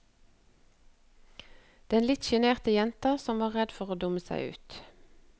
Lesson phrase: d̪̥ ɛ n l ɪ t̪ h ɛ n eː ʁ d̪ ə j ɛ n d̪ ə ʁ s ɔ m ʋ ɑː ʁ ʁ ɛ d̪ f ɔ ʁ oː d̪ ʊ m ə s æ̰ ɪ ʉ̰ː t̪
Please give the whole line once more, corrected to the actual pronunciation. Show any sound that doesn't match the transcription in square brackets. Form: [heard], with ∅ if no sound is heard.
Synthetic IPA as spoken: d̪̥ ɛ n l ɪ t̪ [ʃ] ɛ n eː ʁ [t̪] ə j ɛ n [t̪] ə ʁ s ɔ m ʋ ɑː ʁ ʁ ɛ d̪ f ɔ ʁ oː d̪ ʊ m ə s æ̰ ɪ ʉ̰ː t̪